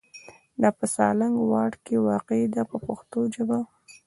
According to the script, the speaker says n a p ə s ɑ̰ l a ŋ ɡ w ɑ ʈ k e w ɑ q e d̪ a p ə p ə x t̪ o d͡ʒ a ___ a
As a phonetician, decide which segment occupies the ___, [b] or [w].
b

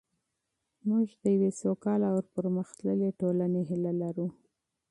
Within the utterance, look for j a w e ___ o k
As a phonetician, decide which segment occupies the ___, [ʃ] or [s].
s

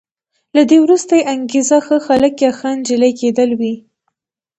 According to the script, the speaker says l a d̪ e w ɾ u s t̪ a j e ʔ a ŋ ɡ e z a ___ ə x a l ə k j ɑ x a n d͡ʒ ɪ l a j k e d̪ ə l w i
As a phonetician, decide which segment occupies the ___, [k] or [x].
x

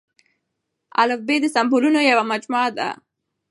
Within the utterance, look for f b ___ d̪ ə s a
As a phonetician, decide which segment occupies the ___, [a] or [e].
e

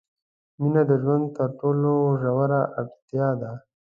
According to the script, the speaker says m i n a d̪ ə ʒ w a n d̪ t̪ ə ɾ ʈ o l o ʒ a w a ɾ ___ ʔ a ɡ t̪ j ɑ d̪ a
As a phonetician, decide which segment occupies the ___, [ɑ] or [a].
a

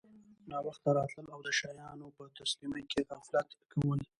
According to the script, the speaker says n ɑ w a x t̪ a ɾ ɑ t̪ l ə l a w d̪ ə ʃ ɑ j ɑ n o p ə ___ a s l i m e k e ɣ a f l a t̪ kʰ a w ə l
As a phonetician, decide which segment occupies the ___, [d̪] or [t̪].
t̪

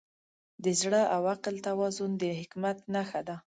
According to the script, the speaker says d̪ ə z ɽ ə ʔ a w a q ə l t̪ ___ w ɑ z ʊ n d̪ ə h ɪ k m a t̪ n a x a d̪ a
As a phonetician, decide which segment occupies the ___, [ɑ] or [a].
a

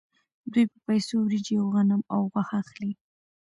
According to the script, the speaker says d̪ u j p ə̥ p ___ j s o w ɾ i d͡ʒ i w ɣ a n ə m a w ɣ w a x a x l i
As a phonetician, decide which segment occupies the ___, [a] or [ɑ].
a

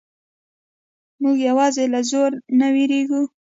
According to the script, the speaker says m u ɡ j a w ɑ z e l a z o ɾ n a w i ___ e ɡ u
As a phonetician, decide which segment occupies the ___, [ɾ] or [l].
ɾ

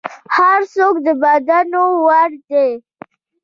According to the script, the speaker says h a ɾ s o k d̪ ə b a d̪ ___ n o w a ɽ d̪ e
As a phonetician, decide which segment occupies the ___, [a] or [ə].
a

